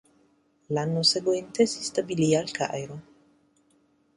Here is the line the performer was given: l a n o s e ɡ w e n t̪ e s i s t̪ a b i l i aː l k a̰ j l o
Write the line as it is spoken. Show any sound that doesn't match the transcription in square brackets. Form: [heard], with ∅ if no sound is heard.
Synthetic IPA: l a n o s e ɡ w e n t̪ e s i s t̪ a b i l i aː l k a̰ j [ɾ] o